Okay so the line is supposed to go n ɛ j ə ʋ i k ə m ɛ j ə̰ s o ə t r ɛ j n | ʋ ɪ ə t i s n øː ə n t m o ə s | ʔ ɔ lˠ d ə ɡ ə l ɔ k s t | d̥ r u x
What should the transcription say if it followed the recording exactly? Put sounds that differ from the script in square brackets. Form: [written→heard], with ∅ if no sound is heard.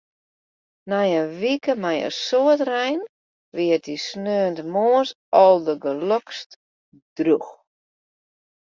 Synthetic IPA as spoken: n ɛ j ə ʋ i k ə m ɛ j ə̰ s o ə t r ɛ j n | ʋ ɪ ə t i s n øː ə n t m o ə s | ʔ ɔ lˠ d ə ɡ ə l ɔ k s t | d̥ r u x

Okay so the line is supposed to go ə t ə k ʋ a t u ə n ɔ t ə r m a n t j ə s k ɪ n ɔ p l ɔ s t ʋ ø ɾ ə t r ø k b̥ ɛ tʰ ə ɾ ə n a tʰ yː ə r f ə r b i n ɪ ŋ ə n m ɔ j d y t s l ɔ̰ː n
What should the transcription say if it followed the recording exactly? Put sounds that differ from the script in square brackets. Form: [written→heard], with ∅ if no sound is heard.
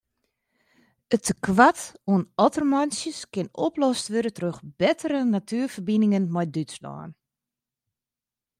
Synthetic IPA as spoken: ə t ə k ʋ a t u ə n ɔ t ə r m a n [t→s] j ə s k ɪ n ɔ p l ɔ s t ʋ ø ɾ ə t r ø [k→x] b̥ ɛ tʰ ə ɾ ə n a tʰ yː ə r f ə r b i n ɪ ŋ ə n m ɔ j d y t s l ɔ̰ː n

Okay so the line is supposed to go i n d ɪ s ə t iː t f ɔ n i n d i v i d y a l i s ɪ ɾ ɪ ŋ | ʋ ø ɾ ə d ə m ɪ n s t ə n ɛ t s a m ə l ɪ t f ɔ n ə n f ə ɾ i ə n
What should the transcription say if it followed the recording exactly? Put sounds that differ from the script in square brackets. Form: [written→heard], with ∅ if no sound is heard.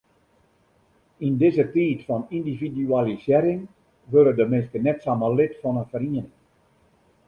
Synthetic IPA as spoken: i n d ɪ [s→z] ə t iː t f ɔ n i n d i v i d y a l i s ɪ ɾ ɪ ŋ | ʋ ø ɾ ə d ə m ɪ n s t ə n ɛ t s a m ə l ɪ t f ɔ n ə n f ə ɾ i ə n

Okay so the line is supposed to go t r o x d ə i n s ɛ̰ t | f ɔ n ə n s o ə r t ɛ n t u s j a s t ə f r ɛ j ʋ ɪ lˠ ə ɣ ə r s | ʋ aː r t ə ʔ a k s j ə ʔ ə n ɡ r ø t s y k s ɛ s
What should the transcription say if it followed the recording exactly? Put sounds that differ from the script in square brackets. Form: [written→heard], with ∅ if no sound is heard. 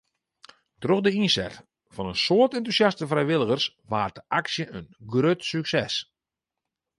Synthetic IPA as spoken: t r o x d ə i n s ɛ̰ t | f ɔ n ə n s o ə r t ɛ n t u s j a s t ə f r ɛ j ʋ ɪ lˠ ə ɣ ə r s | ʋ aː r t ə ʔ a k s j ə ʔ ə n ɡ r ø t s y k s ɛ s

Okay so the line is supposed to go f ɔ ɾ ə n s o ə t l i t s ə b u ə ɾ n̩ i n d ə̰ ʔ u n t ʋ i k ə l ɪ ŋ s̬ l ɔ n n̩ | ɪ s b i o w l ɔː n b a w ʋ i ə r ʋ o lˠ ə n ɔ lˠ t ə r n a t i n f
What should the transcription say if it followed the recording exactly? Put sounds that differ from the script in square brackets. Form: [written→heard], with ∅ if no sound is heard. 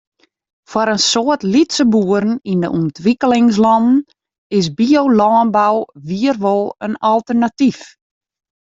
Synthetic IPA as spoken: f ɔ ɾ ə n s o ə t l i t s ə b u ə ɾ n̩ i n d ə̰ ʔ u n t ʋ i k ə l ɪ ŋ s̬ l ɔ n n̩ | ɪ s b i o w l ɔː n b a w ʋ i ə r ʋ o lˠ ə n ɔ lˠ t ə r n a t i [n→∅] f

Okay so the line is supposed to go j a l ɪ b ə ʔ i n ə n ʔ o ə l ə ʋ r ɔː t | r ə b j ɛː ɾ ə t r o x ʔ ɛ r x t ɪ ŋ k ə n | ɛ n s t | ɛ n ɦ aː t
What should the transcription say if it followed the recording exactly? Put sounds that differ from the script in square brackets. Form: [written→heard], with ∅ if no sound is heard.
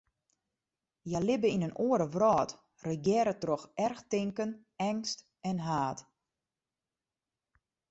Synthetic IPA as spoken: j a l ɪ b ə [ʔ→∅] i n ə n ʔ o ə [l→ɾ] ə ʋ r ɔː t | r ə [b→ɡ] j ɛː ɾ ə t r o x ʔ ɛ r x t ɪ ŋ k ə n | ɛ [n→ŋ] s t | ɛ n ɦ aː t

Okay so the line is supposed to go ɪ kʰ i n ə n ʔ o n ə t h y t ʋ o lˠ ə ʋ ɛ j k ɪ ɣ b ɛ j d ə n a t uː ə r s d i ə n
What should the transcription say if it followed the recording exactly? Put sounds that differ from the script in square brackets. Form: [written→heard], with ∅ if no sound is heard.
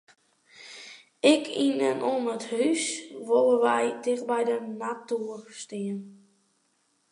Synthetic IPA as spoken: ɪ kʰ i n ə n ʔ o n ə t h y [t→s] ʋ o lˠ ə ʋ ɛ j [k→t] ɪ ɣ b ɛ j d ə n a t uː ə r s [d→t] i ə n

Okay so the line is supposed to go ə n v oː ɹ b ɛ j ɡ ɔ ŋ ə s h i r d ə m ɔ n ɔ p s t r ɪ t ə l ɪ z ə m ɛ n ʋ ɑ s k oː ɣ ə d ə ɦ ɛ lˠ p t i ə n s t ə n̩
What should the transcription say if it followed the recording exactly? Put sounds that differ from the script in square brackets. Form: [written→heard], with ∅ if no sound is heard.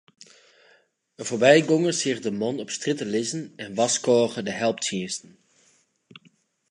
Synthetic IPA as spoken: ə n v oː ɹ b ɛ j ɡ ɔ ŋ ə s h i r d ə m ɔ n ɔ p s t r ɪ t ə l ɪ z ə [m→n] ɛ n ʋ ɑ s k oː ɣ ə d ə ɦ ɛ lˠ p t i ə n s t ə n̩

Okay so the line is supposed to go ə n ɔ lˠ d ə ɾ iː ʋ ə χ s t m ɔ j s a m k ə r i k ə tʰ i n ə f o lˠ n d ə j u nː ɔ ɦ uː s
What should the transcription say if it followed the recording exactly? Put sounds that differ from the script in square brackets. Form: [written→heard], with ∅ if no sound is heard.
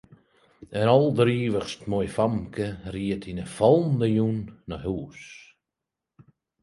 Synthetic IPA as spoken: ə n ɔ lˠ d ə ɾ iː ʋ ə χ s t m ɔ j [s→f] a m k ə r i [k→∅] ə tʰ i n ə f [o→ɔ] lˠ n d ə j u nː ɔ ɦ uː s

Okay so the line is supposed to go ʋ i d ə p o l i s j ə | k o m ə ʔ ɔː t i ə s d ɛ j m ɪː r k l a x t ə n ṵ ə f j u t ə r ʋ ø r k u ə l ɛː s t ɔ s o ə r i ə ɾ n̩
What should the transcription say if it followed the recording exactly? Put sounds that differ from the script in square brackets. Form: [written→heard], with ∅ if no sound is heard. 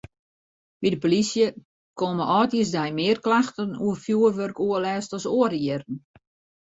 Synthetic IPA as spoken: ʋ i d ə p o l i s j ə | k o m ə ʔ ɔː t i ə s d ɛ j m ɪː r k l a x t ə n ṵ ə f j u [t→∅] ə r ʋ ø r k u ə l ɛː s t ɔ s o ə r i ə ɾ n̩

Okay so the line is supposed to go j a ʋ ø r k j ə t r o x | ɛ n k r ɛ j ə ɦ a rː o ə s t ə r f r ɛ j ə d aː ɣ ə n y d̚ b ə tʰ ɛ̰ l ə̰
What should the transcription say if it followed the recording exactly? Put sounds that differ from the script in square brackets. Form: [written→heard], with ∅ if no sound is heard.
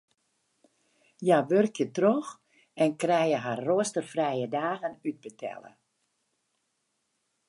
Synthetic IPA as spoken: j a ʋ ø r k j ə t r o x | ɛ n k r ɛ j ə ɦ a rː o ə s t ə r f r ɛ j ə d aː ɣ ə n y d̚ b ə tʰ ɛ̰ l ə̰

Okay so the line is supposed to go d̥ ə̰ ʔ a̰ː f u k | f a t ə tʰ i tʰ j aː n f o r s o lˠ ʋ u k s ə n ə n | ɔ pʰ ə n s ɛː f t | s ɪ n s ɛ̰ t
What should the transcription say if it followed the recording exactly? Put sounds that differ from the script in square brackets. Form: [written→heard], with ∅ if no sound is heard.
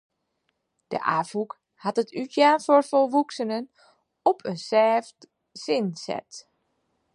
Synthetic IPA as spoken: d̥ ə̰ ʔ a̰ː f u k | [f→h] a t ə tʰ [i→y] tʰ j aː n f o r [s→f] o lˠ ʋ u k s ə n ə n | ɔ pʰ ə n s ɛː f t | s ɪ n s ɛ̰ t

